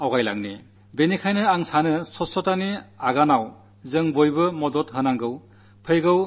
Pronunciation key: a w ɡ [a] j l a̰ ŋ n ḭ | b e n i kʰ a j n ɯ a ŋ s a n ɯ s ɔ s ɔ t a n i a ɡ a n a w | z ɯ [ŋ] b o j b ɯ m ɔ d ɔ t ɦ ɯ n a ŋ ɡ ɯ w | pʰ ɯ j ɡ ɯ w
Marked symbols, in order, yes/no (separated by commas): yes, yes